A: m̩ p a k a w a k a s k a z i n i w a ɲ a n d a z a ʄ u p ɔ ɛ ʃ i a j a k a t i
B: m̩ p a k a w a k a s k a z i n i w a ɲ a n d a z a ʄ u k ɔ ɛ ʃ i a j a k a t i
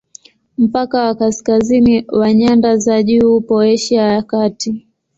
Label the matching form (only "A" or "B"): A